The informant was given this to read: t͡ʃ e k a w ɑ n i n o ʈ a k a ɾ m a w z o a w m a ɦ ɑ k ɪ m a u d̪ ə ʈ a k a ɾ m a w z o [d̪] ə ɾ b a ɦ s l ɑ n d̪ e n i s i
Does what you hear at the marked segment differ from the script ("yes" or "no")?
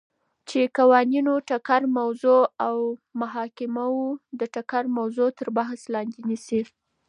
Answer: yes